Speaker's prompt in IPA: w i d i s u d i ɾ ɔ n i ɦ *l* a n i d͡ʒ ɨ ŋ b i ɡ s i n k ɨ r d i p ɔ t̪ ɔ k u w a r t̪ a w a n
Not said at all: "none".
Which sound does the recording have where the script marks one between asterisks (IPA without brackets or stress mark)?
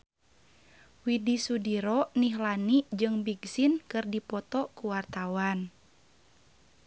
l